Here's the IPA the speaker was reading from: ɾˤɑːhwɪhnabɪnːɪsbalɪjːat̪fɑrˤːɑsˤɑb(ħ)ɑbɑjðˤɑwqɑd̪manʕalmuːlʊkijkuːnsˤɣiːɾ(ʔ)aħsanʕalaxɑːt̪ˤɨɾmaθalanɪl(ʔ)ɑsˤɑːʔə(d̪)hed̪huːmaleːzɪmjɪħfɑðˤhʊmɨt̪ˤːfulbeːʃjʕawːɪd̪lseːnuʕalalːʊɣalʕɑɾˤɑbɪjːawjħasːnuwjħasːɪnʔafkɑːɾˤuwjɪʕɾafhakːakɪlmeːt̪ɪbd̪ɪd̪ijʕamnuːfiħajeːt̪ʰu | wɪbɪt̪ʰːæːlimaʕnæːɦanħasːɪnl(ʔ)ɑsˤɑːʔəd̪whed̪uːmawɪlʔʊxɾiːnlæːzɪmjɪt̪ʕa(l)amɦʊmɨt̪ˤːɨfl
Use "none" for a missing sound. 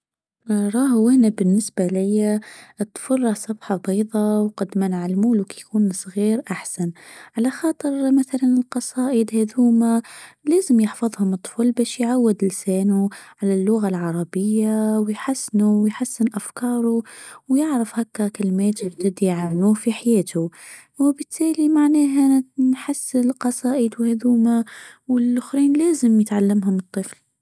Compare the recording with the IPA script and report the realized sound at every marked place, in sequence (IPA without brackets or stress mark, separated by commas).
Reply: ħ, ʔ, q, d̪, q, lː